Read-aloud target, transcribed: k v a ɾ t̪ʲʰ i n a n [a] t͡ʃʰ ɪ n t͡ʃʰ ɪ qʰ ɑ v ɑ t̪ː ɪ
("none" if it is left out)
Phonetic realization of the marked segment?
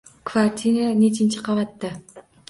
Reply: e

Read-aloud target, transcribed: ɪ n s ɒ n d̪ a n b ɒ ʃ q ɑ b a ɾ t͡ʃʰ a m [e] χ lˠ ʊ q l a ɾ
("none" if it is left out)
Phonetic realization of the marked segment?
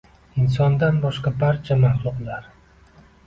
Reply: a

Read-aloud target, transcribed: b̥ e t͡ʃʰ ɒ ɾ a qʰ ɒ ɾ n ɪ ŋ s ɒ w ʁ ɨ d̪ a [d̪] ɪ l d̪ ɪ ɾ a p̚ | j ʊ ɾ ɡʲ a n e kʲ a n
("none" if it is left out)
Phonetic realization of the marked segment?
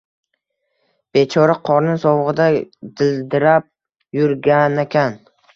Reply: d̪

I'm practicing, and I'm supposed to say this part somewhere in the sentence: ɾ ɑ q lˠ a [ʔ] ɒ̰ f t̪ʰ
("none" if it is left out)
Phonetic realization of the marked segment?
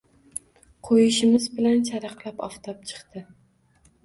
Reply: p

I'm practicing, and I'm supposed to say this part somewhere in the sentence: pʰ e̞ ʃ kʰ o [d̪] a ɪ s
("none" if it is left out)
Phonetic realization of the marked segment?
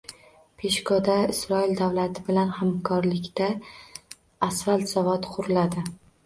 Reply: d̪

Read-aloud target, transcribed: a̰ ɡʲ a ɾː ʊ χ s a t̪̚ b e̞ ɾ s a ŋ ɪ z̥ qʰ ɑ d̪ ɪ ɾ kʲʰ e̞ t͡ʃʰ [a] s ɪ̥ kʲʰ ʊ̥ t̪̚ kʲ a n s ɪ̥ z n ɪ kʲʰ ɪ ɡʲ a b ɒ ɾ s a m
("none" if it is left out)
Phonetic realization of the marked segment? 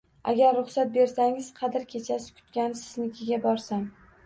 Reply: a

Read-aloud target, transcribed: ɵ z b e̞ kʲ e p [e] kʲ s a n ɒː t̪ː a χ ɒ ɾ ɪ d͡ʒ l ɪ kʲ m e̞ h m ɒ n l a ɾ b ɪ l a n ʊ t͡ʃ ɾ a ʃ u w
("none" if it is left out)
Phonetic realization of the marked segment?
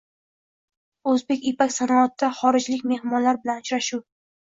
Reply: a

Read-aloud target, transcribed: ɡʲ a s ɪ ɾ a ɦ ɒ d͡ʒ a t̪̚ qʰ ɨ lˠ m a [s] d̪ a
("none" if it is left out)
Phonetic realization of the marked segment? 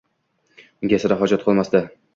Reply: s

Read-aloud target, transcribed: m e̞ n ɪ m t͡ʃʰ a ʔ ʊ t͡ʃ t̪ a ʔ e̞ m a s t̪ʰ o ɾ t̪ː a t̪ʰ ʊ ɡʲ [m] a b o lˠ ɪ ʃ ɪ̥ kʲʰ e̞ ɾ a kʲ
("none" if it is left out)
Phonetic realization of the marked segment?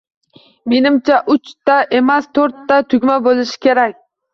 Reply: m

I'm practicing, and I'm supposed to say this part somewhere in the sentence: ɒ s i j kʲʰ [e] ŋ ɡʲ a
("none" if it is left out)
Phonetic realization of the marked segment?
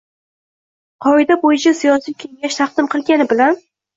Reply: e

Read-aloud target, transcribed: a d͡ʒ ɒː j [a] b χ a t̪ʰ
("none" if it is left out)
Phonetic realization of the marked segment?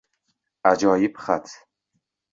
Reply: i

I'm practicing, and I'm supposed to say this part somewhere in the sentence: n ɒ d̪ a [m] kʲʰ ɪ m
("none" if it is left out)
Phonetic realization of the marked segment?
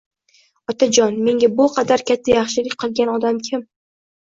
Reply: m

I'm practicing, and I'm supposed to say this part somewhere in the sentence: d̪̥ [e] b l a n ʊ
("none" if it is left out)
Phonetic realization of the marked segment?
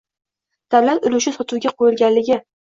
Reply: a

